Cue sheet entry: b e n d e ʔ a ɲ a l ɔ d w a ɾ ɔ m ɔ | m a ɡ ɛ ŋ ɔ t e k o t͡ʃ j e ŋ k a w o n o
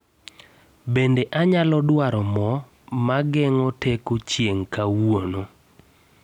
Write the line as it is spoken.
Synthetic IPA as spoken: b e n d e ʔ a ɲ a l ɔ d w a ɾ ɔ m ɔ | m a ɡ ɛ ŋ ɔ t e k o t͡ʃ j e ŋ k a w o n o